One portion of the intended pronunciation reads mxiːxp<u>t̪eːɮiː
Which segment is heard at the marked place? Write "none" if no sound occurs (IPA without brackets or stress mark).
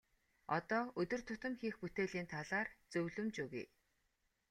u